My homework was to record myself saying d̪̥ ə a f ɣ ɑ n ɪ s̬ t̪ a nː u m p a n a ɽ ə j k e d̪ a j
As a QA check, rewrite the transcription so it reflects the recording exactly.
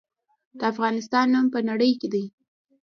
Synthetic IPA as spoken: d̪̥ ə a f ɣ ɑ n ɪ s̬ t̪ ɑ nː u m p ə n a ɽ ə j k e d̪ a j

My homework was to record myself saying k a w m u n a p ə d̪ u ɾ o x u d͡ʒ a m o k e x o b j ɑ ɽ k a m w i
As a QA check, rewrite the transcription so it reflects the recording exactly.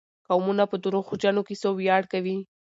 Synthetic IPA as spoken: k a w m u n a p ə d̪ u ɾ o x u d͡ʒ a n o k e s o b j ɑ ɽ k a w i

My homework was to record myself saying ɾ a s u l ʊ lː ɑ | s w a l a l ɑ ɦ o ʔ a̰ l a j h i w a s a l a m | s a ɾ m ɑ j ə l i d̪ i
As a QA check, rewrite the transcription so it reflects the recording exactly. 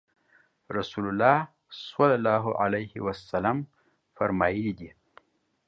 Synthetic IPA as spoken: ɾ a s u l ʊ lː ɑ | s w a l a l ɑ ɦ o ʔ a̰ l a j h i w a s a l a m | f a ɾ m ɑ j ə l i d̪ i

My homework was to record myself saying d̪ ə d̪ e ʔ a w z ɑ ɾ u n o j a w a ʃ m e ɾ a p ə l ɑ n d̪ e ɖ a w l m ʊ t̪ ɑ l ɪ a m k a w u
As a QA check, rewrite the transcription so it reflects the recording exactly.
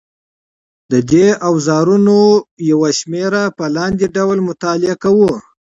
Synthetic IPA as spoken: d̪ ə d̪ e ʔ a w z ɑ ɾ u n o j a w a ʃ m e ɾ a p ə l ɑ n d̪ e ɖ a w l m ʊ t̪ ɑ l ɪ a k a w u

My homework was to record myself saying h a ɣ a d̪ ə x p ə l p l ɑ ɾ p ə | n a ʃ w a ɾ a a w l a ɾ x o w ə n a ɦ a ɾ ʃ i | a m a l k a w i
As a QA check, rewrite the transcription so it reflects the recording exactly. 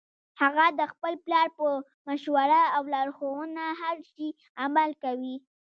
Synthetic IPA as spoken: h a ɣ a d̪ ə x p ə l p l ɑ ɾ p ə | m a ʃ w a ɾ a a w l ɑ ɾ x o w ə n a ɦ a ɾ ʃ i | a m a l k a w i

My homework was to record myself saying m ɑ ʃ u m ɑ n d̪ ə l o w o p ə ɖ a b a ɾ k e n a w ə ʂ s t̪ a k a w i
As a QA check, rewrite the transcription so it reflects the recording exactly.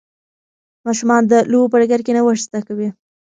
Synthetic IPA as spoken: m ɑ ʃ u m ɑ n d̪ ə l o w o p ə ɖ a ɡ a ɾ k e n a w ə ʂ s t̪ a k a w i

